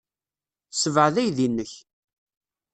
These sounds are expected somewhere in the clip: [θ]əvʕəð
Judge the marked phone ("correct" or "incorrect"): incorrect